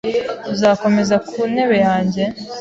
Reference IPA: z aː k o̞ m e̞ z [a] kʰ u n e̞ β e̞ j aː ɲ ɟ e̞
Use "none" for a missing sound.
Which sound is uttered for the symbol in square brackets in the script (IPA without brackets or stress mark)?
a